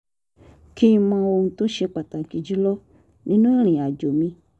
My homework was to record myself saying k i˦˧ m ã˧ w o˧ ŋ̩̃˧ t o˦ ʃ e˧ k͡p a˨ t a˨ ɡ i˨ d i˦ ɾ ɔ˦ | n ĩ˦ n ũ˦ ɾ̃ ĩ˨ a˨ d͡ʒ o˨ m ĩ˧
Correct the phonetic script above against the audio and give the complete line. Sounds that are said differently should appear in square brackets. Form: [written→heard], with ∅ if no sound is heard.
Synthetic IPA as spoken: k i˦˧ m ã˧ w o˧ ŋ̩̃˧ t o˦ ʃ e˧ k͡p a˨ t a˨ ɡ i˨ [d→d͡ʒ] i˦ [ɾ→l] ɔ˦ | n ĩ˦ n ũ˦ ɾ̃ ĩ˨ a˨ d͡ʒ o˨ m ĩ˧